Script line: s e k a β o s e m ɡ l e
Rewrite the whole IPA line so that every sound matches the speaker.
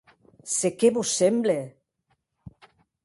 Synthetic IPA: s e k e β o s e m b l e